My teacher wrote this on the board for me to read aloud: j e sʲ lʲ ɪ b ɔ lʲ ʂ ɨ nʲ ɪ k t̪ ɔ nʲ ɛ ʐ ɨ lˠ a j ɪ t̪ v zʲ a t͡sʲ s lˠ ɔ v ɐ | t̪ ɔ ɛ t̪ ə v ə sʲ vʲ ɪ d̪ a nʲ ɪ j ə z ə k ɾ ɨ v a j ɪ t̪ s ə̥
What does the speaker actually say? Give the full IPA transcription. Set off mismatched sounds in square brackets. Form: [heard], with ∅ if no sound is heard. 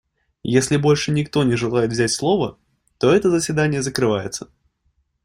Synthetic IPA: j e sʲ lʲ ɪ b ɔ lʲ ʂ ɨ nʲ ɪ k t̪ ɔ nʲ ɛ ʐ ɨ lˠ a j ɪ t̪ v zʲ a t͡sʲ s lˠ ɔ v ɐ | t̪ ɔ ɛ t̪ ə [z] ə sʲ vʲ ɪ d̪ a nʲ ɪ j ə z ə k ɾ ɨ v a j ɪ t̪ s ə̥